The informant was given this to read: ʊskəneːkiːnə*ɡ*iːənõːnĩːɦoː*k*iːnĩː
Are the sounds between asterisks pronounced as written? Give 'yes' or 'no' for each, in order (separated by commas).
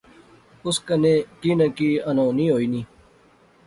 no, no